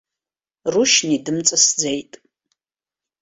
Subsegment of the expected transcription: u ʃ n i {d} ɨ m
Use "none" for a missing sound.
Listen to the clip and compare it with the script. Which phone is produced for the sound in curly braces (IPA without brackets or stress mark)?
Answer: d